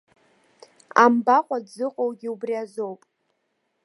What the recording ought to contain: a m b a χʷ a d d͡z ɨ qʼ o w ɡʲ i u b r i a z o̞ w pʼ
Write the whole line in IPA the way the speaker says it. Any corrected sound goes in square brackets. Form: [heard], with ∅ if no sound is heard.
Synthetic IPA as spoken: a m b a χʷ a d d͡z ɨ qʼ o w ɡʲ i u b r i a z o̞ w pʼ